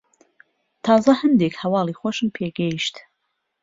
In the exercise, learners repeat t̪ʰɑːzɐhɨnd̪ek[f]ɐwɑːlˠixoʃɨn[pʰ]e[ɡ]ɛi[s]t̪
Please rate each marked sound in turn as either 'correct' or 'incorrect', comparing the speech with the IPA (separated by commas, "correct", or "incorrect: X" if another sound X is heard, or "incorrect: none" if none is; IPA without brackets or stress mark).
incorrect: h, correct, correct, incorrect: ʃ